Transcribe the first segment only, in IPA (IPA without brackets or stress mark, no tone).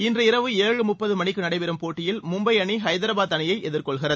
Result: ɪ